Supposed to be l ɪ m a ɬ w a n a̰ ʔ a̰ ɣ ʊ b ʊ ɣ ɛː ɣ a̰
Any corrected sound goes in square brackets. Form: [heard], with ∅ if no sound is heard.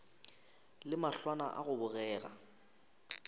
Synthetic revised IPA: l ɪ m a ɬ w a n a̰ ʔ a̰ ɣ ʊ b ʊ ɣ ɛː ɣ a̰